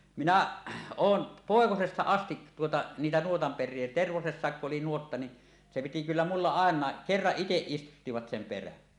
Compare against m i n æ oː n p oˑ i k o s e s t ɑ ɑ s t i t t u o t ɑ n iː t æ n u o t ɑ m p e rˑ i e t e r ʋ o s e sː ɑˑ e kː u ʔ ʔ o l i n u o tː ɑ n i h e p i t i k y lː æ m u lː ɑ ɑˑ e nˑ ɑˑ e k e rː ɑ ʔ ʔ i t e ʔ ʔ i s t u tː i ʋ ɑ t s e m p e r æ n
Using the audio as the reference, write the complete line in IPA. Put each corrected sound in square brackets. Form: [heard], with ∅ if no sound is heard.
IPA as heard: m i n æ oː n p oˑ [e] k o s e s t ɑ ɑ s t i t t u o t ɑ n iː t æ n u o t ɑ m p e rˑ i e t e r ʋ o s e sː ɑˑ e kː u ʔ ʔ o l i n u o tː ɑ n i [s] e p i t i k y lː æ m u lː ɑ ɑˑ e nˑ ɑˑ e k e rː ɑ ʔ ʔ i t e ʔ ʔ i s t u tː i ʋ ɑ t s e m p e r æ n